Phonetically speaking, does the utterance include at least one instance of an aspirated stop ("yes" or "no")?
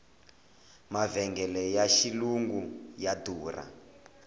no